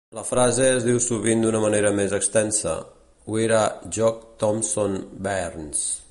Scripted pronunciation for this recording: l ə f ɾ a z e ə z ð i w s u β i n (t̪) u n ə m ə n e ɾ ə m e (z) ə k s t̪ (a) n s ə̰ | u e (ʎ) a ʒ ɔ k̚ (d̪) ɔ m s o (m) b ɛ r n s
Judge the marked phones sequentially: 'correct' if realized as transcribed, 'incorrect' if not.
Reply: incorrect: d̪, correct, incorrect: ɛ, incorrect: ɾ, incorrect: t̪, incorrect: n

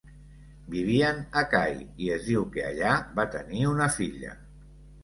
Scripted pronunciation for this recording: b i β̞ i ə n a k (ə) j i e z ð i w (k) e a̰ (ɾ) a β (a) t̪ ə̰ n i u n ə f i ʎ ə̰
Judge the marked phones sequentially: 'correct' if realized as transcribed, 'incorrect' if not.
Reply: incorrect: a, correct, incorrect: ʎ, correct

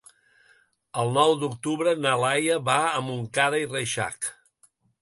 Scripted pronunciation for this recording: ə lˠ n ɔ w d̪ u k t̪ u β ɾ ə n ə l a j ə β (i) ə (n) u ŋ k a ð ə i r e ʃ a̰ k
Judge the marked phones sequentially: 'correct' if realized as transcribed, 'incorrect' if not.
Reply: incorrect: a, incorrect: m

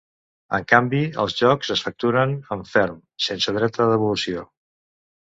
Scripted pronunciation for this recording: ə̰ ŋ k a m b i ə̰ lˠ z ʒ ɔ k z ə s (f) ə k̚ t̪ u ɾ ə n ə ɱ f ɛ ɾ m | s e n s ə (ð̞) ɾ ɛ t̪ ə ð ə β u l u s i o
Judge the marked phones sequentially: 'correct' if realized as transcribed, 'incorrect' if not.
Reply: correct, correct

